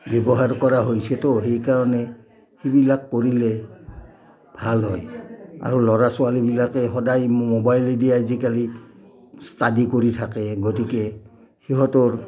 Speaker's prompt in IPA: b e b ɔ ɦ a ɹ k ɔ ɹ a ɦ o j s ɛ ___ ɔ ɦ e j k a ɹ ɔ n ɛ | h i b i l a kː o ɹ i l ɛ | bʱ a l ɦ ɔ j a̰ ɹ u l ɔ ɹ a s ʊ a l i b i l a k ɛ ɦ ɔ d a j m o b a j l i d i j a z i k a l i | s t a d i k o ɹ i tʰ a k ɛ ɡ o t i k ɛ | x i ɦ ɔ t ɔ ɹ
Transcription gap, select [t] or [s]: t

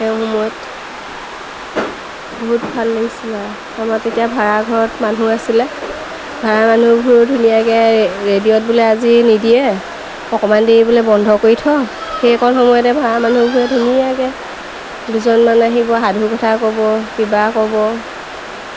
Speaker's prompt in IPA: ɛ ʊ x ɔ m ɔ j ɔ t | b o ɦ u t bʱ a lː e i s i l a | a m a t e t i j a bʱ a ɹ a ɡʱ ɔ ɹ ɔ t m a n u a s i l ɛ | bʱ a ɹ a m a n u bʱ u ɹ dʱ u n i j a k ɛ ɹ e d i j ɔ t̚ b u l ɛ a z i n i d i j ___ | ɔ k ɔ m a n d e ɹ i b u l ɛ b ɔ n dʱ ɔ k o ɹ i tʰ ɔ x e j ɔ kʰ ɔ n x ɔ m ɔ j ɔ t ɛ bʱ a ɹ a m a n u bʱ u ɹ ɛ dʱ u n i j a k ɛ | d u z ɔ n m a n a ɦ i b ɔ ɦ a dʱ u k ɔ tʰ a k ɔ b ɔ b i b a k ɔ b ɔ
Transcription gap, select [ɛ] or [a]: ɛ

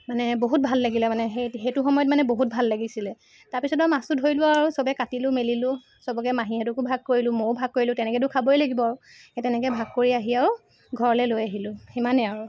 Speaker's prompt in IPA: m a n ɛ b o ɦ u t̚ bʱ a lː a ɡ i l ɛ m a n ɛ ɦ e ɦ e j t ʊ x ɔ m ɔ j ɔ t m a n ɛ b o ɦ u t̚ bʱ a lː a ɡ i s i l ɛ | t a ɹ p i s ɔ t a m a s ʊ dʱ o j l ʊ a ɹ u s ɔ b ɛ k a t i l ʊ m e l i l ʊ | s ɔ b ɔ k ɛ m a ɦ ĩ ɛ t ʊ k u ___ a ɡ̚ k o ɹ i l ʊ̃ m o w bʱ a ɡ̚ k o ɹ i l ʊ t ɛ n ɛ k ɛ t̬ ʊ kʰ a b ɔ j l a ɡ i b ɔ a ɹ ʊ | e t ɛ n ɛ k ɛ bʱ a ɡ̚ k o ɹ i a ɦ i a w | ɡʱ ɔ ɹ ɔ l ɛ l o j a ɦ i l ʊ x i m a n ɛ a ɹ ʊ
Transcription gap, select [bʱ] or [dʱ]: bʱ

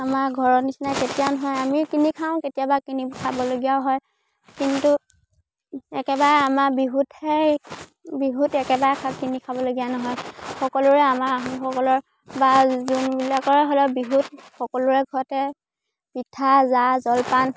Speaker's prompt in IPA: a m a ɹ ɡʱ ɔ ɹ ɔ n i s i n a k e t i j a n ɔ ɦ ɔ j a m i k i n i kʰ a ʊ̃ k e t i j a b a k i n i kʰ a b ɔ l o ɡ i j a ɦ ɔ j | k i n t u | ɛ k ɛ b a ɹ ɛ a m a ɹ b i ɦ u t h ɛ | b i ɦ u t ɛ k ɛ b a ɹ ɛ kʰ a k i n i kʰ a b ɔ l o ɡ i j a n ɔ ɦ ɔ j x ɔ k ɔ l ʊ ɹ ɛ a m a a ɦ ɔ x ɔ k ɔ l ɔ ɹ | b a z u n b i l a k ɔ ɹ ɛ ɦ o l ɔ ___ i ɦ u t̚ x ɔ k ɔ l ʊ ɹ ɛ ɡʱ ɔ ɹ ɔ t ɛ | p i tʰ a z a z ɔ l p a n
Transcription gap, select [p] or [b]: b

